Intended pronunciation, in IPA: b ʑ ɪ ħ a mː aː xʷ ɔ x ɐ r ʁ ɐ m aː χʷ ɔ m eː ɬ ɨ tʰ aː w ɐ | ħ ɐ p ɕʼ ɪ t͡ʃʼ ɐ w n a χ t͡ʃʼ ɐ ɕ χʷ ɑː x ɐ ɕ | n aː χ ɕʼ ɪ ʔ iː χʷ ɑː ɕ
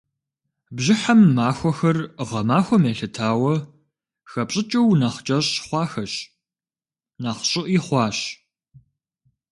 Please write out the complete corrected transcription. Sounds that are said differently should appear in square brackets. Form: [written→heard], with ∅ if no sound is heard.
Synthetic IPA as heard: b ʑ ɪ ħ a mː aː xʷ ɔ x ɐ r ʁ ɐ m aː [χʷ→xʷ] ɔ m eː ɬ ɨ tʰ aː w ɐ | [ħ→x] ɐ p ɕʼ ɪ t͡ʃʼ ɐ w n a χ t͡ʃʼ ɐ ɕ χʷ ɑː x ɐ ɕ | n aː χ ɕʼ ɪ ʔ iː χʷ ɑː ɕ

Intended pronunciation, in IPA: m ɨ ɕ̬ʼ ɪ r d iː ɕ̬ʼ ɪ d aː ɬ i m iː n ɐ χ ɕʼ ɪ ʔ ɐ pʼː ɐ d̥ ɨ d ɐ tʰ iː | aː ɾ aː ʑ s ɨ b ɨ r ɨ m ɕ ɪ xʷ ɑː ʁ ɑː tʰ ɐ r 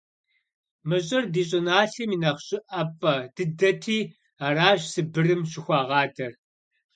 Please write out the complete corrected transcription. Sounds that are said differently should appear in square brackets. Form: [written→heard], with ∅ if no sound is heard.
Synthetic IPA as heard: m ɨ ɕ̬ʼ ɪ r d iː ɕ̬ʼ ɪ [d→n] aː ɬ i m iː n ɐ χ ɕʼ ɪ ʔ ɐ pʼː ɐ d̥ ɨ d ɐ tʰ iː | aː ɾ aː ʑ s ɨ b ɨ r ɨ m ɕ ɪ xʷ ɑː ʁ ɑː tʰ ɐ r

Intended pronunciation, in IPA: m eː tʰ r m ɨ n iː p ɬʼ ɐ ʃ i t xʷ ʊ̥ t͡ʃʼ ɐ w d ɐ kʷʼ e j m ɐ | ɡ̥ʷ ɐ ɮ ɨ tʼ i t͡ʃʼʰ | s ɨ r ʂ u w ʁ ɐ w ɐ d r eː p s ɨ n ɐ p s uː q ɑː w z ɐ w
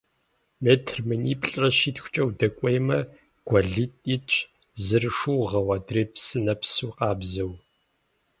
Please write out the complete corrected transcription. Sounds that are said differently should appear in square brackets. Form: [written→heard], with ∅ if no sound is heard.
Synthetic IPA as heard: m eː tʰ r m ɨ n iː p ɬʼ ɐ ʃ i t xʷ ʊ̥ t͡ʃʼ ɐ w d ɐ kʷʼ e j m ɐ | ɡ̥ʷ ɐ ɮ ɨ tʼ i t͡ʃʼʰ | [s→z] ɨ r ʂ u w ʁ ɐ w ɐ d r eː p s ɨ n ɐ p s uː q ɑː [w→b] z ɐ w

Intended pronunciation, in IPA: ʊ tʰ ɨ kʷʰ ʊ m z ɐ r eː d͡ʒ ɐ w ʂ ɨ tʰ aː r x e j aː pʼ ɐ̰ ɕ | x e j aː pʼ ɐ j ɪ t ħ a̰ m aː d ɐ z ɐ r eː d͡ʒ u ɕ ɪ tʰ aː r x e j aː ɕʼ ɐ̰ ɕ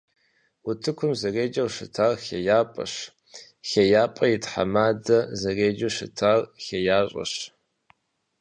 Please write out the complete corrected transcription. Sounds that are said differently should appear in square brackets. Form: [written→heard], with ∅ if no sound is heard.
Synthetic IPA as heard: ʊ tʰ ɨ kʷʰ ʊ m z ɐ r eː d͡ʒ ɐ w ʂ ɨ tʰ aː r x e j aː pʼ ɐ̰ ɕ | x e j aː pʼ ɐ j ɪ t ħ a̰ m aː d ɐ z ɐ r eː d͡ʒ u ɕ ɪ tʰ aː r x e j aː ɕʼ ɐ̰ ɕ

